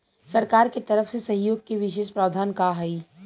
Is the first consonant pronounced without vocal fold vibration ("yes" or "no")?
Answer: yes